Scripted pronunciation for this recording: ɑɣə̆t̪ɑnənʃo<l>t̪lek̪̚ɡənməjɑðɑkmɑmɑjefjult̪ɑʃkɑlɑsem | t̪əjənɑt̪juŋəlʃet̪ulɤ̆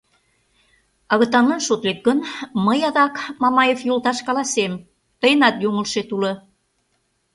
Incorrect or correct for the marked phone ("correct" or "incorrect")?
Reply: incorrect